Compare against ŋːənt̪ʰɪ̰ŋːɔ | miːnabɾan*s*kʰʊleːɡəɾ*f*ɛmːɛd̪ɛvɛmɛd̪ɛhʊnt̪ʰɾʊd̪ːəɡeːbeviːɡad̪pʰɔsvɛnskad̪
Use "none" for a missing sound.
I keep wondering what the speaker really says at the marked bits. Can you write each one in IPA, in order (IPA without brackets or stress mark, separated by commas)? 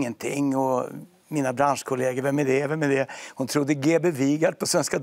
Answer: ʂ, v